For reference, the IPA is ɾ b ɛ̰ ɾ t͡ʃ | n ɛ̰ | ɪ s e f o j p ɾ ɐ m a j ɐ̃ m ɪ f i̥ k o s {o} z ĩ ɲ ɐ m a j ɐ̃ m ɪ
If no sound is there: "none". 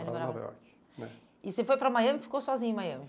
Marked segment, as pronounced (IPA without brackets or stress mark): ɔ